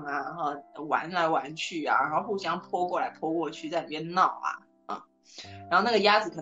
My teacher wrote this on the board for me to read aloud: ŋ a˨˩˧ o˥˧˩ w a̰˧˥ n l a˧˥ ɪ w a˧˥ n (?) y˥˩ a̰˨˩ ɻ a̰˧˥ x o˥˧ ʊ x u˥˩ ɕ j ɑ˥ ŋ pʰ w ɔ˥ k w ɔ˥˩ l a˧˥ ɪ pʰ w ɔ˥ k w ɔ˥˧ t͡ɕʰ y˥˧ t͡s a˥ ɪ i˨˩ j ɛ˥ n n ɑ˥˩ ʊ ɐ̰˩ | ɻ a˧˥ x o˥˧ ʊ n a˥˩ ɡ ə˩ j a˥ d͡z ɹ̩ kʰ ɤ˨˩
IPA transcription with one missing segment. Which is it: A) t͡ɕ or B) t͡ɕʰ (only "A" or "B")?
B